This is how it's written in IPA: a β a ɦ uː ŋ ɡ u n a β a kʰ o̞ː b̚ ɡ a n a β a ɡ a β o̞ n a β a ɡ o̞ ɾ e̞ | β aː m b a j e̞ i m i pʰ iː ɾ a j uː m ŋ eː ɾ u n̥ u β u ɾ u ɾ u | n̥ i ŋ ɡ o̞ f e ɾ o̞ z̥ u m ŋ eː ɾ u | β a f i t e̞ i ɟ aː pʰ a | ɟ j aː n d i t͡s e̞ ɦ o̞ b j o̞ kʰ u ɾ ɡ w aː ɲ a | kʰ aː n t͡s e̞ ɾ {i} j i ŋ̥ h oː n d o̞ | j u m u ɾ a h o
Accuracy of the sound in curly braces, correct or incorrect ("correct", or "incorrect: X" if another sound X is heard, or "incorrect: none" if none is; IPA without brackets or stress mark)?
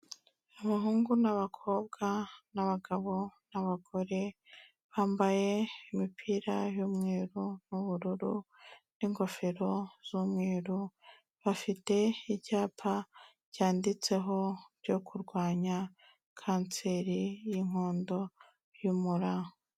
correct